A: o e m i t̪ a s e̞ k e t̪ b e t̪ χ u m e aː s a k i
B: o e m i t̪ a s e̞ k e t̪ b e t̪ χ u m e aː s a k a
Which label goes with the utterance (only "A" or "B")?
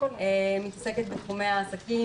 A